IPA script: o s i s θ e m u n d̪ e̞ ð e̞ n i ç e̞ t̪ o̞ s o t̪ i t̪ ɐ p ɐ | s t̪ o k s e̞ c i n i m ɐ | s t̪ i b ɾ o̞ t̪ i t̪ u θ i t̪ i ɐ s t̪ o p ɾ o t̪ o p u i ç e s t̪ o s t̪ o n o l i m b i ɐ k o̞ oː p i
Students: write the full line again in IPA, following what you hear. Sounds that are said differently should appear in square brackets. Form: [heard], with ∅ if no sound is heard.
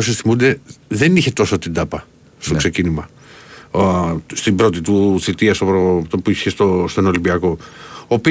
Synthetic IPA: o s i s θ [i] m u n d̪ e̞ ð e̞ n i ç e̞ t̪ o̞ s o t̪ i [d̪] ɐ p ɐ | s t̪ o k s e̞ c i n i m ɐ | s t̪ i b ɾ o̞ t̪ i t̪ u θ i t̪ i ɐ s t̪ o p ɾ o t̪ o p u i ç e s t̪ o s t̪ o n o l i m b i ɐ k o̞ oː p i